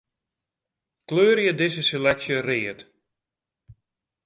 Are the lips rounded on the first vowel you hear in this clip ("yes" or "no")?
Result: yes